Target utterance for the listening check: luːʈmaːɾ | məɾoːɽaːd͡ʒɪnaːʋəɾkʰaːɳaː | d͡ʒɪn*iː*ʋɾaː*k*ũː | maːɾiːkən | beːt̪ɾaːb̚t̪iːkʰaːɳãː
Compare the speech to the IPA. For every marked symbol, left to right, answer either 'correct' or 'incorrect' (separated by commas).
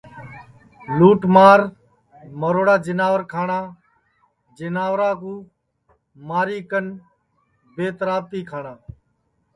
incorrect, correct